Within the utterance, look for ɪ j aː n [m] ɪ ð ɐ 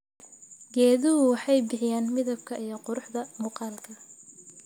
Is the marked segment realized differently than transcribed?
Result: no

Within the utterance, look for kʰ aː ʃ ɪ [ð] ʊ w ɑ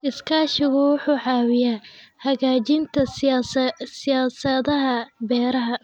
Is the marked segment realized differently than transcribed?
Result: yes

